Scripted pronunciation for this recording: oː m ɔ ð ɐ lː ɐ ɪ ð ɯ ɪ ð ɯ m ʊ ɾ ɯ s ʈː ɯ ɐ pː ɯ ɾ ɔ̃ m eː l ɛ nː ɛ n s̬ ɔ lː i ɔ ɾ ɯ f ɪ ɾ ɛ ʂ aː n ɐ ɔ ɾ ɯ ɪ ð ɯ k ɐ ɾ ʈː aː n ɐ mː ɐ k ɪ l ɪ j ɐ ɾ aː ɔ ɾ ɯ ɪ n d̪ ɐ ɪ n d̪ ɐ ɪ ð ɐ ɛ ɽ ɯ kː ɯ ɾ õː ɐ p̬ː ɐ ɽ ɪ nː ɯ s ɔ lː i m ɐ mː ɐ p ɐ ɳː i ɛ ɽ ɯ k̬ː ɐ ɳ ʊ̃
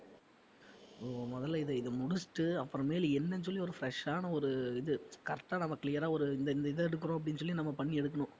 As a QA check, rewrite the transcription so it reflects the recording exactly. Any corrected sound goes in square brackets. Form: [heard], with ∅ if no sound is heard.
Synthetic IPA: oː m ɔ ð ɐ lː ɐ ɪ ð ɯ ɪ ð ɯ m ʊ [ɽ] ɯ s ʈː ɯ ɐ pː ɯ ɾ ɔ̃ m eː l ɛ nː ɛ n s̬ ɔ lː i ɔ ɾ ɯ f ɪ ɾ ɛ ʂ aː n ɐ ɔ ɾ ɯ ɪ ð ɯ k ɐ ɾ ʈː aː n ɐ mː ɐ k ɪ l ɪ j ɐ ɾ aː ɔ ɾ ɯ ɪ n d̪ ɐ ɪ n d̪ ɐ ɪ ð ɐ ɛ ɽ ɯ kː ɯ ɾ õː ɐ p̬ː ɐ ɽ ɪ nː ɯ s ɔ lː i [n] ɐ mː ɐ p ɐ ɳː i ɛ ɽ ɯ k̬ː ɐ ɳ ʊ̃